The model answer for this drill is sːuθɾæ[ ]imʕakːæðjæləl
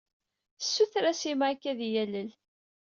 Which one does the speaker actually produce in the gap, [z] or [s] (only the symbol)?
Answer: s